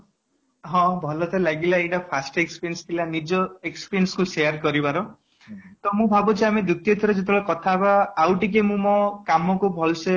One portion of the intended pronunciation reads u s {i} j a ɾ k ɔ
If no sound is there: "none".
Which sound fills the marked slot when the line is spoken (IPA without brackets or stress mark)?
e